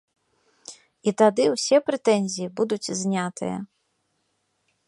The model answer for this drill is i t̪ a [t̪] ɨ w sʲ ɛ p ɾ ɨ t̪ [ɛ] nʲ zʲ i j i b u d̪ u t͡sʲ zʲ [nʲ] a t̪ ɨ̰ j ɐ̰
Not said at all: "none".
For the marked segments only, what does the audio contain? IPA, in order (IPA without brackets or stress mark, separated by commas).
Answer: d̪, ɛ, nʲ